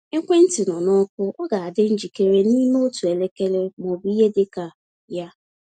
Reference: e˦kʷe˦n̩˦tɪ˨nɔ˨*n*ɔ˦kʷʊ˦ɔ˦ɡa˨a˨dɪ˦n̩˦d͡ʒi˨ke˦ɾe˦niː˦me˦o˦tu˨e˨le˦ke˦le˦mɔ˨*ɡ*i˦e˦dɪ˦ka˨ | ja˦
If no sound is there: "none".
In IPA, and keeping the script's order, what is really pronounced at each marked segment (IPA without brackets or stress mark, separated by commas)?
n, b